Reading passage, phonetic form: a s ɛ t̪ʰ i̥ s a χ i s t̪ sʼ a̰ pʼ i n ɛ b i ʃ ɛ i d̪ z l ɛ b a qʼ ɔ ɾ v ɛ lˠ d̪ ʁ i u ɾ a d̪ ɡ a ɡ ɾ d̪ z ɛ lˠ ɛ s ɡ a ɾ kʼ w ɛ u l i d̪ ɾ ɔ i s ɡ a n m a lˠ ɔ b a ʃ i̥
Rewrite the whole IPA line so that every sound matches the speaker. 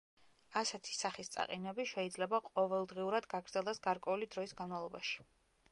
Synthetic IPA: a s ɛ t̪ʰ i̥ s a χ i s t̪ sʼ a̰ qʼ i n ɛ b i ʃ ɛ i d̪ z l ɛ b a qʼ ɔ v ɛ lˠ d̪ ʁ i u ɾ a d̪ ɡ a ɡ ɾ d̪ z ɛ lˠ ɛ s ɡ a ɾ kʼ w ɛ u l i d̪ ɾ ɔ i s ɡ a n m a lˠ ɔ b a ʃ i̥